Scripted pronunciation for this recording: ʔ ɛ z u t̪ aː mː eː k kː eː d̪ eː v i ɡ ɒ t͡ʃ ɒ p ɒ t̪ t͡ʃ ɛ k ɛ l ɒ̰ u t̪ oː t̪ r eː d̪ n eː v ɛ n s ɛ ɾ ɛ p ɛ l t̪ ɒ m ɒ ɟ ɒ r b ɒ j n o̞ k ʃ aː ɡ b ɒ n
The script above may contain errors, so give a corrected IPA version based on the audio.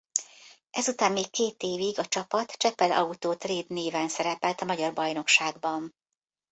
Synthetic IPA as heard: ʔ ɛ z u t̪ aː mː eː k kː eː t̪ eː v i ɡ ɒ t͡ʃ ɒ p ɒ t̪ t͡ʃ ɛ p ɛ l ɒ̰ u t̪ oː t̪ r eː d̪ n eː v ɛ n s ɛ ɾ ɛ p ɛ l t̪ ɒ m ɒ ɟ ɒ r b ɒ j n o̞ k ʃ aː ɡ b ɒ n